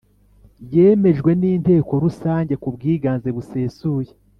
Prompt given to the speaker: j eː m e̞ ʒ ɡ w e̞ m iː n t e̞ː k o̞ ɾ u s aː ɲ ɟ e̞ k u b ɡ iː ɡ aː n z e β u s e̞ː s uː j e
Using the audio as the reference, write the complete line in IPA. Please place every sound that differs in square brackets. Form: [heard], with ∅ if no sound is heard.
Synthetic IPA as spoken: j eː m e̞ ʒ ɡ w e̞ [n] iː n t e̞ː k o̞ ɾ u s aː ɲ ɟ e̞ k u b ɡ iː ɡ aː n z e β u s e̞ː s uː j e